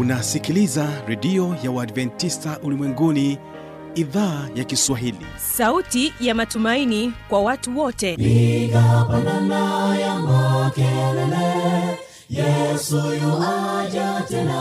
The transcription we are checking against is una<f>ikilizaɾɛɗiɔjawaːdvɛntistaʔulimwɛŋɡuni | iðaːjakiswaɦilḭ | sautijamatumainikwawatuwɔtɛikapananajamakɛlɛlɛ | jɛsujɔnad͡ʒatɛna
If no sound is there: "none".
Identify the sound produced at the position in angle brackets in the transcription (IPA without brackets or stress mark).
s